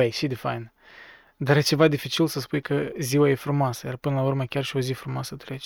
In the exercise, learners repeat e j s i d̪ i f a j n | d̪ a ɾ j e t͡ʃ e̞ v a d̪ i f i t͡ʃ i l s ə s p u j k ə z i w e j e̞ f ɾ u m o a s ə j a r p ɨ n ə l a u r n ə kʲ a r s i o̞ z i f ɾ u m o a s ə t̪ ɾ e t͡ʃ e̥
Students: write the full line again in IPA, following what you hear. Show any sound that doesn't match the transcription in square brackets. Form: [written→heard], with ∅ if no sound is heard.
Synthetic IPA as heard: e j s i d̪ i f a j n | d̪ a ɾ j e t͡ʃ e̞ v a d̪ i f i t͡ʃ i l s ə s p u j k ə z i w [e→a] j e̞ f ɾ u m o a s ə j a r p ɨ n ə l a u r [n→m] ə kʲ a r [s→ʃ] i o̞ z i f ɾ u m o a s ə t̪ ɾ e t͡ʃ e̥